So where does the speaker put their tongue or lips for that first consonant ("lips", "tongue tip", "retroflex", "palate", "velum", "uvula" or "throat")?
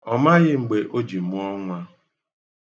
lips